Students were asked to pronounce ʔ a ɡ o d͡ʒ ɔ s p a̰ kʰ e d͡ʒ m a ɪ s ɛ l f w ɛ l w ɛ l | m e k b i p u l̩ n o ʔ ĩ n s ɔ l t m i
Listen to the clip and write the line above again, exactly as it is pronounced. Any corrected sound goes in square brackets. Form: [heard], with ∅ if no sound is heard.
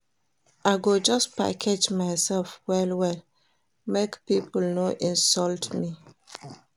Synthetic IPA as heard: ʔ a ɡ o d͡ʒ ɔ s p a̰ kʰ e d͡ʒ m a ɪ s ɛ l f w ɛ l w ɛ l | m e k [p] i p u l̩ n o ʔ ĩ n s ɔ l t m i